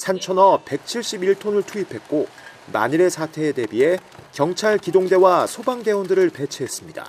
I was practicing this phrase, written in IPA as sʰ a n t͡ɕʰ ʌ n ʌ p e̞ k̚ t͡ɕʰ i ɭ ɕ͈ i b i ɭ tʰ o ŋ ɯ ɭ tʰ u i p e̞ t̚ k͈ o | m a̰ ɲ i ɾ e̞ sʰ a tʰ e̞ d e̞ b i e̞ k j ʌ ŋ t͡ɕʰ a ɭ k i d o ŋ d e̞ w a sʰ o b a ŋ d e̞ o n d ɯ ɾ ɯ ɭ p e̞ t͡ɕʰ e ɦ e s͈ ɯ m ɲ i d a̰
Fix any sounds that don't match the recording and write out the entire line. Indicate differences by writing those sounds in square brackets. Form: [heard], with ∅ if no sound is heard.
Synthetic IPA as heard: sʰ a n t͡ɕʰ ʌ n ʌ p e̞ k̚ t͡ɕʰ i ɭ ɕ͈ i b i ɭ tʰ o [n] ɯ ɭ tʰ u i [pʰ] e̞ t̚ k͈ o | m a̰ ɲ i ɾ e̞ sʰ a tʰ e̞ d e̞ b i e̞ k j ʌ ŋ t͡ɕʰ a ɭ k i d o ŋ d e̞ w a sʰ o b a ŋ d e̞ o n d ɯ ɾ ɯ ɭ p e̞ t͡ɕʰ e ɦ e s͈ ɯ m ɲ i d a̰

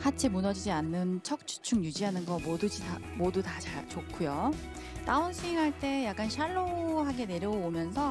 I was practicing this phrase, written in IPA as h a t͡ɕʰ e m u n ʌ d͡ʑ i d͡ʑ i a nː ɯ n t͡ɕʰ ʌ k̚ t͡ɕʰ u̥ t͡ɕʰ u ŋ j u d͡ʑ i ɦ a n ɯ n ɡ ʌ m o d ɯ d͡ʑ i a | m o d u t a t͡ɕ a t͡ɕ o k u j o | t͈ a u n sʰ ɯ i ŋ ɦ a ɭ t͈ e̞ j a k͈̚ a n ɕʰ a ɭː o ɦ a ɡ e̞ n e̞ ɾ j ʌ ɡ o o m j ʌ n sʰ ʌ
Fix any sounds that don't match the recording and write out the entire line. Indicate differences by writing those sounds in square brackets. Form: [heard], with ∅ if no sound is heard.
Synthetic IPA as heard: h a t͡ɕʰ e m u n ʌ d͡ʑ i d͡ʑ i a nː ɯ n t͡ɕʰ ʌ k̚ t͡ɕʰ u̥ t͡ɕʰ u ŋ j u d͡ʑ i ɦ a n ɯ n ɡ ʌ m o d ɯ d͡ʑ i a | m o d u t a t͡ɕ a t͡ɕ o [kʰ] u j o | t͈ a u n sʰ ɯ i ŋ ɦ a ɭ t͈ e̞ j a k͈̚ a n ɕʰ a ɭː o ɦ a ɡ e̞ n e̞ ɾ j ʌ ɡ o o m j ʌ n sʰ ʌ

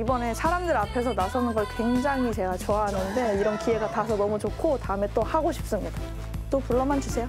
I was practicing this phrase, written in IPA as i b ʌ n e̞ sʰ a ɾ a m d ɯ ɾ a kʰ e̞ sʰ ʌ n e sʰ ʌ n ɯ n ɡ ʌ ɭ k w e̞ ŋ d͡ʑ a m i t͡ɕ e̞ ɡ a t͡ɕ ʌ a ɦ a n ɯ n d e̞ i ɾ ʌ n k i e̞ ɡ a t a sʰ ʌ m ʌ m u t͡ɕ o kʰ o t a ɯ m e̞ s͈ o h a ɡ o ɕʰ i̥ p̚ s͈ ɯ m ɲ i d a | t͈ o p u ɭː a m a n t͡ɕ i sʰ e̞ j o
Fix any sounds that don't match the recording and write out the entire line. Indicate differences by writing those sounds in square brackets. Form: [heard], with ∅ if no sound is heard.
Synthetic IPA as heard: i b ʌ n e̞ sʰ a ɾ a m d ɯ ɾ a [pʰ] e̞ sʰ ʌ n [a] sʰ ʌ n ɯ n ɡ ʌ ɭ k w e̞ ŋ d͡ʑ a [ŋ] i t͡ɕ e̞ ɡ a t͡ɕ ʌ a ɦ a n ɯ n d e̞ i ɾ ʌ n k i e̞ ɡ a t a sʰ ʌ [n] ʌ m u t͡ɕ o kʰ o t a ɯ m e̞ [t͈] o h a ɡ o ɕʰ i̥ p̚ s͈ ɯ m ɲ i d a | t͈ o p u ɭː [ʌ] m a n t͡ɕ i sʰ e̞ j o

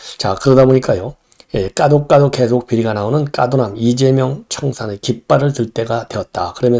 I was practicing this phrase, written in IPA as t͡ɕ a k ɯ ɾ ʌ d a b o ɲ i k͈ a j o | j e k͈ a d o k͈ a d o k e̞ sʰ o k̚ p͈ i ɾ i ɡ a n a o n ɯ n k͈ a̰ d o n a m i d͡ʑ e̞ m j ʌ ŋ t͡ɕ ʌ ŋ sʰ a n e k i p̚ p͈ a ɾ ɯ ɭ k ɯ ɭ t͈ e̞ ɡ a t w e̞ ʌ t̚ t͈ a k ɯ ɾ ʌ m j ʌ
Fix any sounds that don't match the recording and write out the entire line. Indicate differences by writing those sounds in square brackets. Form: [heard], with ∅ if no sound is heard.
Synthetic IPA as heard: t͡ɕ a k ɯ ɾ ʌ d a b o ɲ i k͈ a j o | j e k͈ a d o k͈ a d o k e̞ sʰ o k̚ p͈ i ɾ i ɡ a n a o n ɯ n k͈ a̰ d o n a m i d͡ʑ e̞ m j ʌ ŋ [t͡ɕʰ] ʌ ŋ sʰ a n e k i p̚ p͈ a ɾ ɯ ɭ [t] ɯ ɭ t͈ e̞ ɡ a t w e̞ ʌ t̚ t͈ a k ɯ ɾ ʌ m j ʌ

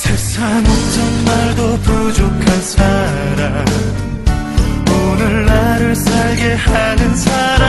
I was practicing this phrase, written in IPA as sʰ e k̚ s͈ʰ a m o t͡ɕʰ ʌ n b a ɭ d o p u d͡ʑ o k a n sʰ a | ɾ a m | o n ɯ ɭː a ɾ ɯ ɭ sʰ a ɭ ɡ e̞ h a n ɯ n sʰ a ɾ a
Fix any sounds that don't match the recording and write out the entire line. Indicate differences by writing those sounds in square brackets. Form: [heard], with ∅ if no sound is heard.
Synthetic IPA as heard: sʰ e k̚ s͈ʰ a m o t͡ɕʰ ʌ n [m] a ɭ d o p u d͡ʑ o [kʰ] a n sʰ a | ɾ a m | o n ɯ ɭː a ɾ ɯ ɭ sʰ a ɭ ɡ e̞ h a n ɯ n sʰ a ɾ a

